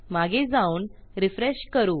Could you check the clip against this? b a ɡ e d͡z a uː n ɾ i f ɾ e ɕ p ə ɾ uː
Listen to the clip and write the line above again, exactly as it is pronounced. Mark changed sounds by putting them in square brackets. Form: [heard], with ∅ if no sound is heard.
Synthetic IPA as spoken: [m] a ɡ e d͡z a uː n ɾ i f ɾ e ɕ [k] ə ɾ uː